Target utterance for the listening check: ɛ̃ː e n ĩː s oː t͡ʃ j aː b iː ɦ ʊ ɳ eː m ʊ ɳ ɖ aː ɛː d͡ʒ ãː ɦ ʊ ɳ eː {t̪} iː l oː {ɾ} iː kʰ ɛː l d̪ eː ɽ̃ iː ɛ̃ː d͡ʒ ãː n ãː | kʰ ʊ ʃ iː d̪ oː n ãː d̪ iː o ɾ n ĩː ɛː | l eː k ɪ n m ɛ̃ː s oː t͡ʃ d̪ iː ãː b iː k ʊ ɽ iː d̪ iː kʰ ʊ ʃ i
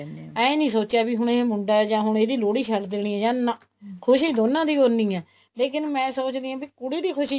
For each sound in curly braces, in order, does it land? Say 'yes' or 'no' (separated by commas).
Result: no, no